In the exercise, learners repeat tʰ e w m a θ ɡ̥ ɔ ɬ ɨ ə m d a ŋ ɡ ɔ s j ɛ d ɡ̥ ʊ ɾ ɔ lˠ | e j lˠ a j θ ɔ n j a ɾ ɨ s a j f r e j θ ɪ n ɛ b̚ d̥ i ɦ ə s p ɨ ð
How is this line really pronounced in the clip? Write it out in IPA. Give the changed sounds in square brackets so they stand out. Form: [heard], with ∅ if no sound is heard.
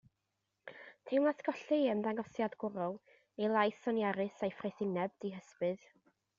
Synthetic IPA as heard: tʰ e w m a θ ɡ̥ ɔ ɬ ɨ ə m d a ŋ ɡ ɔ s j [a] d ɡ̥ ʊ ɾ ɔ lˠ | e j lˠ a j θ ɔ n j a ɾ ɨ s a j f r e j θ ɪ n ɛ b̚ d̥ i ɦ ə s p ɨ ð